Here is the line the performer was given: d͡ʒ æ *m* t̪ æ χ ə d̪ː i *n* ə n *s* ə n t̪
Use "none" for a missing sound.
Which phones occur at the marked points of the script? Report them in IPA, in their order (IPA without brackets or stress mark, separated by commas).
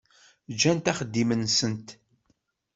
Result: n, m, s